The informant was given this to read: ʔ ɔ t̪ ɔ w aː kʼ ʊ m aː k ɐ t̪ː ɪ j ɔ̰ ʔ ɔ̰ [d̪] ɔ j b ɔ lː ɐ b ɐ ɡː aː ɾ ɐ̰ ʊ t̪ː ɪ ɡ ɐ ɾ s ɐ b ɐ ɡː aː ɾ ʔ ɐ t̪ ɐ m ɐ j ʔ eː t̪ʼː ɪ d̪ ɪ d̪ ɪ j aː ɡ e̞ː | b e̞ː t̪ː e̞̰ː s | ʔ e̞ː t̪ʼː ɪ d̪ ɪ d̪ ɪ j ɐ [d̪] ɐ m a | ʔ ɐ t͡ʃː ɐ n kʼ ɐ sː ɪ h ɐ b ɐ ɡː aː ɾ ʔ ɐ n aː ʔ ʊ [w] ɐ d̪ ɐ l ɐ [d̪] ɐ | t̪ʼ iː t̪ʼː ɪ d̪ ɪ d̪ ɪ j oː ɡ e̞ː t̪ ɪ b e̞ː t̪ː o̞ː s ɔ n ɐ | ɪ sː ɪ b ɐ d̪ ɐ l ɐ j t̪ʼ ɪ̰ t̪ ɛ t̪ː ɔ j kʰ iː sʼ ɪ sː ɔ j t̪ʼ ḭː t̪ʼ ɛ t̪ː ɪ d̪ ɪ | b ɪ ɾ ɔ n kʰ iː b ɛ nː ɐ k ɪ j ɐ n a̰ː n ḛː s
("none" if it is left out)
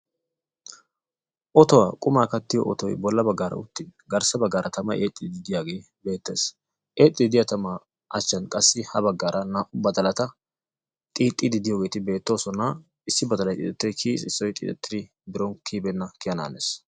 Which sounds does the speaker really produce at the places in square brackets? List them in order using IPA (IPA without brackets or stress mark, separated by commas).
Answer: t̪, t̪, b, t̪